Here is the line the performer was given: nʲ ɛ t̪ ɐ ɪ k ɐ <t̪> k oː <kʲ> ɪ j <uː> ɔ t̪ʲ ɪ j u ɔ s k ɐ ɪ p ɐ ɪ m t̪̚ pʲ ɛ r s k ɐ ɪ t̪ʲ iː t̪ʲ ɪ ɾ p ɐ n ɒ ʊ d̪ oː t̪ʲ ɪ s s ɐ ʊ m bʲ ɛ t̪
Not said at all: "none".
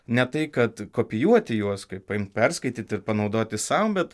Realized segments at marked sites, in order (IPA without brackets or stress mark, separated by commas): t̪, pʲ, u